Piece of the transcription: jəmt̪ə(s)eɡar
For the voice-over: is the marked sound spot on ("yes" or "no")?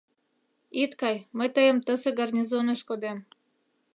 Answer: yes